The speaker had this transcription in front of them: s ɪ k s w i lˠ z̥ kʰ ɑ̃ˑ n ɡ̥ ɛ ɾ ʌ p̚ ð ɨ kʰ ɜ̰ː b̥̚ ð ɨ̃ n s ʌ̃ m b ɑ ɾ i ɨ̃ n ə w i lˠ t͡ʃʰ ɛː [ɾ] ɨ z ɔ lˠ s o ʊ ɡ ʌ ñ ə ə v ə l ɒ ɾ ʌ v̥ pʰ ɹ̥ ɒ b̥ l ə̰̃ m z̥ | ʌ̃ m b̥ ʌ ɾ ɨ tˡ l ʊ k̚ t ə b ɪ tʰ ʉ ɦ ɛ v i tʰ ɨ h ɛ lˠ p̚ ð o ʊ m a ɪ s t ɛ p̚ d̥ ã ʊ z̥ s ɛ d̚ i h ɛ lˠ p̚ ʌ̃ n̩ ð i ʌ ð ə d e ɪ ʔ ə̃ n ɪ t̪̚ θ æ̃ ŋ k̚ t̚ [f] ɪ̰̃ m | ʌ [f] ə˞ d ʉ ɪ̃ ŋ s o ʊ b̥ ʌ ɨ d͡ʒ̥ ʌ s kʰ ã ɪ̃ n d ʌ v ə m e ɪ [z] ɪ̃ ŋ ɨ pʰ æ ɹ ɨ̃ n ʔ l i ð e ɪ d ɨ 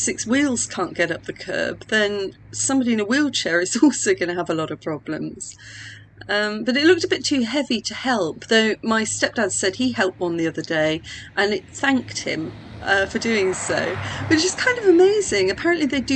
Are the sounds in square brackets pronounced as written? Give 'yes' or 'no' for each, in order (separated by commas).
no, no, yes, yes